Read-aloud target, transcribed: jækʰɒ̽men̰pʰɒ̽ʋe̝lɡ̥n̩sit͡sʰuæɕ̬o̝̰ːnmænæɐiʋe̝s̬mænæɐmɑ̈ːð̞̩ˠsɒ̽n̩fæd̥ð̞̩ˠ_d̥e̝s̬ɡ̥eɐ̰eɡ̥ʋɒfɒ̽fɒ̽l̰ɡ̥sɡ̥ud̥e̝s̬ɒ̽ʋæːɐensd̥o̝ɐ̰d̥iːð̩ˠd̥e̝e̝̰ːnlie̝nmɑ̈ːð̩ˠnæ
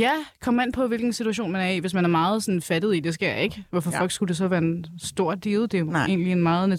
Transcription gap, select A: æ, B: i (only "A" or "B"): B